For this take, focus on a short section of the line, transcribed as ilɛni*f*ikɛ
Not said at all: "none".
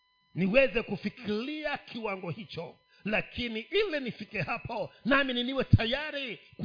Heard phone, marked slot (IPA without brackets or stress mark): f